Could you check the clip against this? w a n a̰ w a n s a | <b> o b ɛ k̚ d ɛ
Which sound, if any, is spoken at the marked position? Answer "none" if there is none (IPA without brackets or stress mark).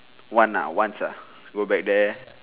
ɡ